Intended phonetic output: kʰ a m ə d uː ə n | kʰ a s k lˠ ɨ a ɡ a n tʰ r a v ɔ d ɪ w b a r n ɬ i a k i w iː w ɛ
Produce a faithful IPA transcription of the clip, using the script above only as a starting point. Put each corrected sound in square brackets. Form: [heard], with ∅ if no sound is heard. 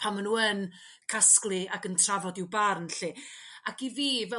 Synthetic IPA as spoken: [pʰ] a m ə [n] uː ə n | kʰ a s k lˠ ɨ a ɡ [ə] n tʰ r a v ɔ d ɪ w b a r n ɬ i a k i [v] iː [v] ɛ